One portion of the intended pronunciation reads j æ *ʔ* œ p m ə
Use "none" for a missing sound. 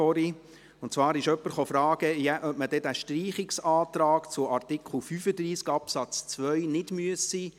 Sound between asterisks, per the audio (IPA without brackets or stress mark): ʔ